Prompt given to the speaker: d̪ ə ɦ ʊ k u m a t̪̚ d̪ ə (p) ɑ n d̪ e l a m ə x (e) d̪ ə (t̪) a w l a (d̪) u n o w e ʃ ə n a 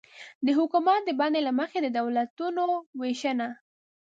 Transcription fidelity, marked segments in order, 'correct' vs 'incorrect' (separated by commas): incorrect, correct, incorrect, incorrect